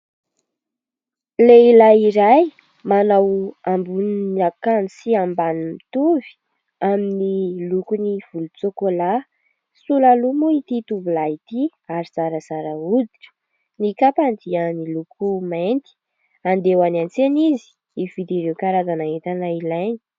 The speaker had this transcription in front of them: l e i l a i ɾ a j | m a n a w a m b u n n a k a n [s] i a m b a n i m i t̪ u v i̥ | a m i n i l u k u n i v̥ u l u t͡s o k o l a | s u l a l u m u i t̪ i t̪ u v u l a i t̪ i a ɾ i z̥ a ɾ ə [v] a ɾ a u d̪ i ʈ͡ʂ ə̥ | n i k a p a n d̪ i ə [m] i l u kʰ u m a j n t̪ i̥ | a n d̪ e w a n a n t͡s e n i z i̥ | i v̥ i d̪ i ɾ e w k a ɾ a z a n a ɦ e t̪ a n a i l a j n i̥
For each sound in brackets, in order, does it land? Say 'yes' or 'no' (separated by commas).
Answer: yes, no, no